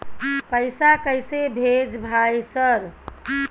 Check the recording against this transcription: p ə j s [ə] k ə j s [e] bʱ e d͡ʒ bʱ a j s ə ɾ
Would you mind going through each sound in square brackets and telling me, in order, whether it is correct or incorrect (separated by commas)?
incorrect, correct